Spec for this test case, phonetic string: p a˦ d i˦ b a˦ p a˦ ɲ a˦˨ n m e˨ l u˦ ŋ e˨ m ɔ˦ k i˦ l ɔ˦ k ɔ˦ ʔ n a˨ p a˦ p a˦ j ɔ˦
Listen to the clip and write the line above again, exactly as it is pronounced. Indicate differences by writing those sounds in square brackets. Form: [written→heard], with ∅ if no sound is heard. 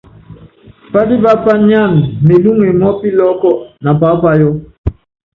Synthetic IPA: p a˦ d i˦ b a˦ p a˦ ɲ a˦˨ n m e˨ l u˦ ŋ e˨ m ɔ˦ [k→p] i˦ l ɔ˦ k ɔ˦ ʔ n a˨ p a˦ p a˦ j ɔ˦